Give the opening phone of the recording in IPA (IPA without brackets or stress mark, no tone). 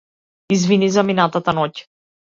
i